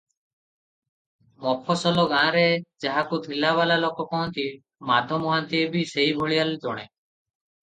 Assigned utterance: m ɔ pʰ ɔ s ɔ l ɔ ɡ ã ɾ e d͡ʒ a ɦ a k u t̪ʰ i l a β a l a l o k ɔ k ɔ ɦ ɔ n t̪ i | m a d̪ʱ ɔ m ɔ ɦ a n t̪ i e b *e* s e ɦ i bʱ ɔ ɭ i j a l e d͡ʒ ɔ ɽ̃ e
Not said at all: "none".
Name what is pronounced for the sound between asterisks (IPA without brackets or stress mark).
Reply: i